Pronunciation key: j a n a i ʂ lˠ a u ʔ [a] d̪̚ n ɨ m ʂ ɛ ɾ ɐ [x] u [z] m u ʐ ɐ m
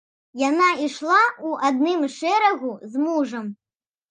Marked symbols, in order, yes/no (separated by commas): yes, no, yes